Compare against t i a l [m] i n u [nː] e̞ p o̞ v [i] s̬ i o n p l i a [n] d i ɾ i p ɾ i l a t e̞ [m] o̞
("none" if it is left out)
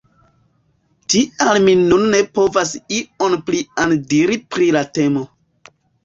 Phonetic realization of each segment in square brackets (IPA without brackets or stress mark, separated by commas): m, nː, a, n, m